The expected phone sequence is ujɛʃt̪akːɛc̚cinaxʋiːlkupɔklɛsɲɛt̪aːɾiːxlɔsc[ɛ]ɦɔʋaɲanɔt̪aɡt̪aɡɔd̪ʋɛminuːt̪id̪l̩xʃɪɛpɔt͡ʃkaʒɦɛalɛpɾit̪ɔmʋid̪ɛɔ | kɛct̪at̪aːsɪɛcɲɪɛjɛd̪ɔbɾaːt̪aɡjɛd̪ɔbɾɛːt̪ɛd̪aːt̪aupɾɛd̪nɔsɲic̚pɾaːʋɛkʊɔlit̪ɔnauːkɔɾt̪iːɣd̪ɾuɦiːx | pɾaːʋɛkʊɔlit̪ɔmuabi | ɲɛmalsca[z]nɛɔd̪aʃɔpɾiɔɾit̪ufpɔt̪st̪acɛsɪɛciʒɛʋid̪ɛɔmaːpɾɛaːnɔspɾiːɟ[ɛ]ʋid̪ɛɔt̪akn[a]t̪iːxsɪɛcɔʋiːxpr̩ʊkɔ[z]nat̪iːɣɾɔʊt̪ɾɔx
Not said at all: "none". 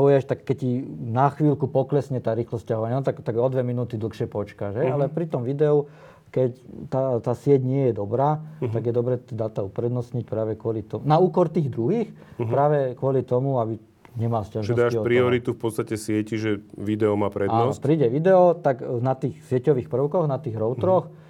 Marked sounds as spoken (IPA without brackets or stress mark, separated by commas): a, ʒ, ɛ, a, ɣ